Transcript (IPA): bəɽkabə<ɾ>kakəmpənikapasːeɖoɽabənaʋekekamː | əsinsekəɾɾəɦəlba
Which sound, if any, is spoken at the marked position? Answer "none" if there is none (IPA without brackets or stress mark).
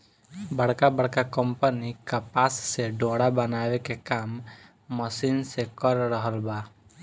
ɽ